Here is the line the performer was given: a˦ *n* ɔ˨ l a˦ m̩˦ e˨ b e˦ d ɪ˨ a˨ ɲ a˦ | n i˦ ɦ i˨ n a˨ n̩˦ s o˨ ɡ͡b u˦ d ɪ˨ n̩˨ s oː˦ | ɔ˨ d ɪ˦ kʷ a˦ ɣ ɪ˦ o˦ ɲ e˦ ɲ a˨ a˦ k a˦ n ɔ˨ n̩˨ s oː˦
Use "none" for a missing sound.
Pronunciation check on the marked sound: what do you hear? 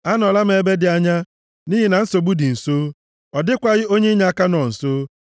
n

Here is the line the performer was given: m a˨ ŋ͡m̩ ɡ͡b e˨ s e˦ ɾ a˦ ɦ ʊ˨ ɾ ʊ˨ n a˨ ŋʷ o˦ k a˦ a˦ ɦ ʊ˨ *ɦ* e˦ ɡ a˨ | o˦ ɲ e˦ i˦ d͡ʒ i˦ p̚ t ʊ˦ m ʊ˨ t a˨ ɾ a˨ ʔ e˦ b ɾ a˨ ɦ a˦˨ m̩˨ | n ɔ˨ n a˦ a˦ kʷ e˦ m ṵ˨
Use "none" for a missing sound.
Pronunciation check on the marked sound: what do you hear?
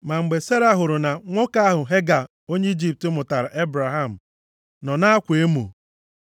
ɦ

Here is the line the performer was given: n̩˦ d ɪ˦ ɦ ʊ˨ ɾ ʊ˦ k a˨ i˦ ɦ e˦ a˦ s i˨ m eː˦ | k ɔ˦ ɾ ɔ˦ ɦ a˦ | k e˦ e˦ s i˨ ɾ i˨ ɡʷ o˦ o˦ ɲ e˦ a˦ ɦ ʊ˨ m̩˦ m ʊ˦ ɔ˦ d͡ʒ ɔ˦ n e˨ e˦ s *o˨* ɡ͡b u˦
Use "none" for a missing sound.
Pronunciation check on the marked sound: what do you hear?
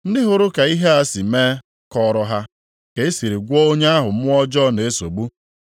o˨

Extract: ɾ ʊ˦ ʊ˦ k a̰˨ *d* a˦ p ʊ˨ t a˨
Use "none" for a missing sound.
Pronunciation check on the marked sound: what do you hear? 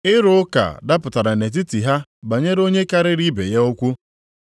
d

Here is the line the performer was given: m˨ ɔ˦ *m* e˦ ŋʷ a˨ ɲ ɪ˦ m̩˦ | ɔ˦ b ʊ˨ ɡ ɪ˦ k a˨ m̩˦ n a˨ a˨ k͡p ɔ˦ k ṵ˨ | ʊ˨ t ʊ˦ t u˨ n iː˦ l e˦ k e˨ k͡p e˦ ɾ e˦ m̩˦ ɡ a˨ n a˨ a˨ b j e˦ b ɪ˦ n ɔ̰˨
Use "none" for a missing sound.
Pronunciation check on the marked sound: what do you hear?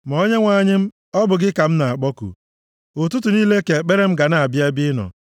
ɲ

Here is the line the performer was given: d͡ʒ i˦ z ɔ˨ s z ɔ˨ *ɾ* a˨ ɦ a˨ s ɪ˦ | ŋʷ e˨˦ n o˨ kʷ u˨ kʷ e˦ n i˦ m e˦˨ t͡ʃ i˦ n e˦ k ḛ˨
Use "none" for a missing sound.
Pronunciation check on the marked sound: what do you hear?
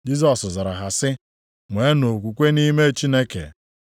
ɾ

